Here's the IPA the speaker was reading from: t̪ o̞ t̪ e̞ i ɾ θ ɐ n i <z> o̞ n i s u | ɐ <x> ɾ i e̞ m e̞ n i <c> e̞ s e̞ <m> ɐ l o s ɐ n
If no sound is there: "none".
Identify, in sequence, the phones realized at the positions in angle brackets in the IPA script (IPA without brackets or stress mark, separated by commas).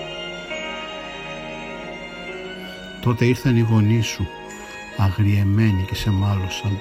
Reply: ɣ, ɣ, c, m